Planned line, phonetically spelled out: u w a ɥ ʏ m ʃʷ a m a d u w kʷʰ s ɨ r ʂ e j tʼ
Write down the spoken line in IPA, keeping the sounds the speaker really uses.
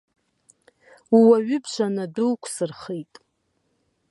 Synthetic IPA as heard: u w a ɥ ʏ b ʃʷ a n a d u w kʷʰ s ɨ r χ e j tʼ

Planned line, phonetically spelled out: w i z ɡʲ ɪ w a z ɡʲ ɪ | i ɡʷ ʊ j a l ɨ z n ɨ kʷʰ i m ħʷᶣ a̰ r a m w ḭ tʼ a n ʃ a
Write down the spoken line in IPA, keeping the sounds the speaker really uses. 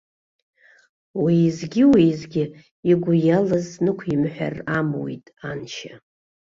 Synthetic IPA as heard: w i z ɡʲ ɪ w i z ɡʲ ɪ | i ɡʷ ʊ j a l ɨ z n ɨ kʷʰ i m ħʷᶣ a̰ r a m w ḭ tʼ a n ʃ a

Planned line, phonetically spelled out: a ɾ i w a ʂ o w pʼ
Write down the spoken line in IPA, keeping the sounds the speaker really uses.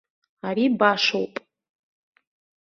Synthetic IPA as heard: a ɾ i b a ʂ o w pʼ

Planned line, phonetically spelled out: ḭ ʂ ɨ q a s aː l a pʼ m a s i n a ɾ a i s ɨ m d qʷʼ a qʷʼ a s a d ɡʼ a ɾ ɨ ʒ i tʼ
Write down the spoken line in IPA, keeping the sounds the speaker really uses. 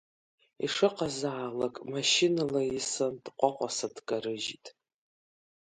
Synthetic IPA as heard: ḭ ʂ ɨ q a z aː l a kʼ m a ʃ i n a l a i s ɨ n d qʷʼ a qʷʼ a s a d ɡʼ a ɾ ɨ ʒ i tʼ

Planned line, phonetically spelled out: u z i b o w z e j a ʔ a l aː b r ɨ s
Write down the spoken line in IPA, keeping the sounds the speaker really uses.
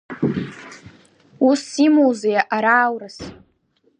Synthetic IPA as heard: u s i m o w z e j a ʔ a ɾ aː w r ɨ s

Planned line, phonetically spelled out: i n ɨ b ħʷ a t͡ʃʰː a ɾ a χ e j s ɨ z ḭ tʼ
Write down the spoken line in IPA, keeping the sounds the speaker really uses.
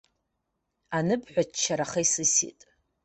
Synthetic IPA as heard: a n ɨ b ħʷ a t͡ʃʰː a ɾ a χ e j s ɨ s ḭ tʼ

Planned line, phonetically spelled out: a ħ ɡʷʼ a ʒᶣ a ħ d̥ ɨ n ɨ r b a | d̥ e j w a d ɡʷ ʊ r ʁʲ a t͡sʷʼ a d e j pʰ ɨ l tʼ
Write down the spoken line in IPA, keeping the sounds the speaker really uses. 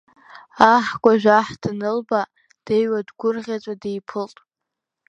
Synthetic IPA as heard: a ħ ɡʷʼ a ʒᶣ a ħ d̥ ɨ n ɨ l b a | d̥ e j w a d ɡʷ ʊ r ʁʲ a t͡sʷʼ a d e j pʰ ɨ l tʼ

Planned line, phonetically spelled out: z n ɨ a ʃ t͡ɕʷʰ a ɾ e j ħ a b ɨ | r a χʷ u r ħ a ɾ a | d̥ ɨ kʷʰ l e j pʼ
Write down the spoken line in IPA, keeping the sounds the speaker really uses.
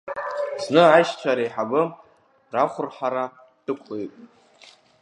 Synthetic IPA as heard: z n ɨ a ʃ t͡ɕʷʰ a ɾ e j ħ a b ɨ | r a χʷ ʊ r ħ a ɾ a | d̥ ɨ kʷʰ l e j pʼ

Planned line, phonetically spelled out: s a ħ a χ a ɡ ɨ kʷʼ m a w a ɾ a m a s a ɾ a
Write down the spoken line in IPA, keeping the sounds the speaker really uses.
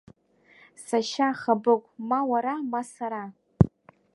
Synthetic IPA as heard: s a ʃ a χ a b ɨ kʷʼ m a w a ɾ a m a s a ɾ a

